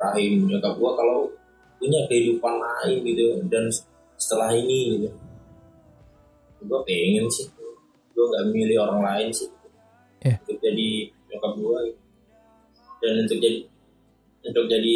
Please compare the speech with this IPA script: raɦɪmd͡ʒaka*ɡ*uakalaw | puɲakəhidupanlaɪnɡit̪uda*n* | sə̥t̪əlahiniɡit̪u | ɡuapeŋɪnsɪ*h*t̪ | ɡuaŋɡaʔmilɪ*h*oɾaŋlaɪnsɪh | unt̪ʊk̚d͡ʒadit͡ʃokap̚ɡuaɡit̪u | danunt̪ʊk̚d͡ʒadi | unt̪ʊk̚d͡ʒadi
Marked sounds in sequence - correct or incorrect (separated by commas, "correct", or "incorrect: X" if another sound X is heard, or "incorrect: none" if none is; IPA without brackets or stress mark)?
correct, correct, correct, correct